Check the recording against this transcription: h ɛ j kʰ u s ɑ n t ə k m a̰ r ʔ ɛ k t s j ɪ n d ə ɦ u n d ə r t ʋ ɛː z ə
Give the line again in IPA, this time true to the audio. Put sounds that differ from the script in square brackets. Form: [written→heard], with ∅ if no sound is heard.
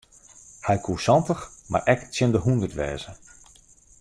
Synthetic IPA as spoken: h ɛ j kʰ u s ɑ n t ə [k→x] m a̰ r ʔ ɛ k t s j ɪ n d ə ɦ u n d ə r t ʋ ɛː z ə